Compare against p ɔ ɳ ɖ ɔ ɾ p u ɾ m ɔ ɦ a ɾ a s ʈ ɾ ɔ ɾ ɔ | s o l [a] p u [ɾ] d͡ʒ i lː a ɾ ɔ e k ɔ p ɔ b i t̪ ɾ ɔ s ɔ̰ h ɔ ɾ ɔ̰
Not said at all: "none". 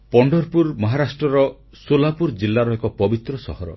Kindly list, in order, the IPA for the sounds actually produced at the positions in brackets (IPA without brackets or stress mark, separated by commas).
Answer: a, ɾ